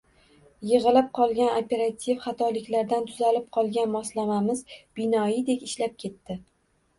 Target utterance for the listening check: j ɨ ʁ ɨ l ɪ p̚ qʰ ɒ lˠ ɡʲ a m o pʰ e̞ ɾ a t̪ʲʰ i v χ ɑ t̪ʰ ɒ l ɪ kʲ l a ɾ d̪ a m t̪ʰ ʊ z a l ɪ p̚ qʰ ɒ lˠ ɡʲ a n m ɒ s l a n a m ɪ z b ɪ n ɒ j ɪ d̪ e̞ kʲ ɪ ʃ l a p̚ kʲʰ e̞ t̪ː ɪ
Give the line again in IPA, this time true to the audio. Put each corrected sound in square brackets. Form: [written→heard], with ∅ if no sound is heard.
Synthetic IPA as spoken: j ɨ ʁ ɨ l ɪ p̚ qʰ ɒ lˠ ɡʲ a [m→n] o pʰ e̞ ɾ a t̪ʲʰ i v χ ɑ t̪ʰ ɒ l ɪ kʲ l a ɾ d̪ a [m→n] t̪ʰ ʊ z a l ɪ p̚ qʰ ɒ lˠ ɡʲ a n m ɒ s l a [n→m] a m ɪ z b ɪ n ɒ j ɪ d̪ e̞ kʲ ɪ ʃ l a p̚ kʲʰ e̞ t̪ː ɪ

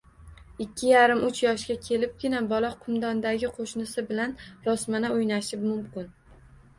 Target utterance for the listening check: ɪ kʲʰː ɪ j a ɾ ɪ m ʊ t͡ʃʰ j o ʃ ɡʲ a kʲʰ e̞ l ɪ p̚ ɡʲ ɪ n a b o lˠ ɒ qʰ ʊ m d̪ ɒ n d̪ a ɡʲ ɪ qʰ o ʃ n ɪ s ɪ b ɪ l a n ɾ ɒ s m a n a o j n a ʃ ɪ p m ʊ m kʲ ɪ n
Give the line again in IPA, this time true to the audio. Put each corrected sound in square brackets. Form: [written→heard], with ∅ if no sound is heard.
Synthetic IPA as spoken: ɪ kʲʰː ɪ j a ɾ ɪ m ʊ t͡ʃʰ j [o→ɒ] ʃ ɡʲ a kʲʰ e̞ l ɪ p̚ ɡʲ ɪ n a b [o→ɒ] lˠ ɒ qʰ ʊ m d̪ ɒ n d̪ a ɡʲ ɪ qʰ o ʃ n ɪ s ɪ b ɪ l a n ɾ ɒ s m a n a o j n a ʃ ɪ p m ʊ m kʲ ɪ n

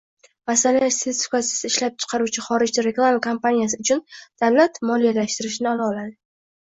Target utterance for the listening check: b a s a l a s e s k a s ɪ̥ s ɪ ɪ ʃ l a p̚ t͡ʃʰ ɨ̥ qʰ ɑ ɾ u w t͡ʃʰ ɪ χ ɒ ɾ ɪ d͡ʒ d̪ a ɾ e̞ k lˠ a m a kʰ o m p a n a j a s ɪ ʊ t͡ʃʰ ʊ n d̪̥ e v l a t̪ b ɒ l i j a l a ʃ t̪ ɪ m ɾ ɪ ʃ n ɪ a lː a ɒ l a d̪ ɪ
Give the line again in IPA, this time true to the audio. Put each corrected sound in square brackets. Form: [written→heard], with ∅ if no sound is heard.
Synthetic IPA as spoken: [b→m] a s a l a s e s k a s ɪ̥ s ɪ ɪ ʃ l a p̚ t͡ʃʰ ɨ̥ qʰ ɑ ɾ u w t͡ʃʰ ɪ χ ɒ ɾ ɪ d͡ʒ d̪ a ɾ e̞ k lˠ a m a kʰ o m p a n [a→i] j a s ɪ ʊ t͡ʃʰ ʊ n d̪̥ [e→a] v l a t̪ [b→m] ɒ l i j a l a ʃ t̪ ɪ [m→∅] ɾ ɪ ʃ n ɪ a [lː→l] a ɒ l a d̪ ɪ

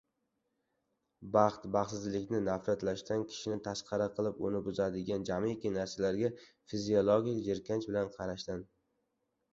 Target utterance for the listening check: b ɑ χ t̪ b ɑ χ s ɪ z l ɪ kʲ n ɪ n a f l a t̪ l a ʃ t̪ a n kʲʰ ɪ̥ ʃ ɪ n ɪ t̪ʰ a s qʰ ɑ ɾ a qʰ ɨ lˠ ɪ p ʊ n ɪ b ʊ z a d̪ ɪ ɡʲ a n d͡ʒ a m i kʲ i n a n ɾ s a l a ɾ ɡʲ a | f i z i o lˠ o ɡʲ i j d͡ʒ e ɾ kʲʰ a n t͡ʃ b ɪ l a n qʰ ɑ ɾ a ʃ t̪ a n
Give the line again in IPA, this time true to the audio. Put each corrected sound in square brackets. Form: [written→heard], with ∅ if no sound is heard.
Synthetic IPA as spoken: b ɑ χ t̪ b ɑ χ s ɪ z l ɪ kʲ n ɪ n a f [l→ɾ] a t̪ l a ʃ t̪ a n kʲʰ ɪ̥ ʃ ɪ n ɪ t̪ʰ a s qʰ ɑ ɾ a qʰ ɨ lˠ ɪ p ʊ n ɪ b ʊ z a d̪ ɪ ɡʲ a n d͡ʒ a m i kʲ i n a [n→∅] ɾ s a l a ɾ ɡʲ a | f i z i o lˠ o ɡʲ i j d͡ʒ e ɾ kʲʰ a n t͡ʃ b ɪ l a n qʰ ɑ ɾ a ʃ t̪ a n

